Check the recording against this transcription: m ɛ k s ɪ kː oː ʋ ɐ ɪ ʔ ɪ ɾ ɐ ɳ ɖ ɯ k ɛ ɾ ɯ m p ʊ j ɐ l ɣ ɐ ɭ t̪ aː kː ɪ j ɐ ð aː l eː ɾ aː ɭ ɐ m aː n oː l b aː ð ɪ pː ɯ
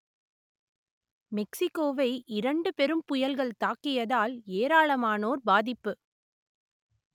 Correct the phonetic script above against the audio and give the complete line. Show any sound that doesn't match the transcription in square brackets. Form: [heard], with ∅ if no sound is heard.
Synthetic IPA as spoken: m ɛ k s ɪ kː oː ʋ ɐ ɪ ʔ ɪ ɾ ɐ ɳ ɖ ɯ [p] ɛ ɾ ɯ m p ʊ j ɐ l ɣ ɐ ɭ t̪ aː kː ɪ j ɐ ð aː l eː ɾ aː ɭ ɐ m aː n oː [ɾ] b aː ð ɪ pː ɯ